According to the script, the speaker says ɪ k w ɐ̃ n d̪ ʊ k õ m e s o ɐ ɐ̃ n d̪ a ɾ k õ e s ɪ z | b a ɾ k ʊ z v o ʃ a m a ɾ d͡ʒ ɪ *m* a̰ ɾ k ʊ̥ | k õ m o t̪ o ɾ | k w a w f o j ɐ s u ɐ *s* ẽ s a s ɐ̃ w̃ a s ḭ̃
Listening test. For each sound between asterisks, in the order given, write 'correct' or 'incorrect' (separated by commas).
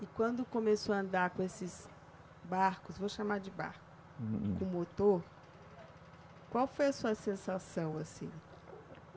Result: incorrect, correct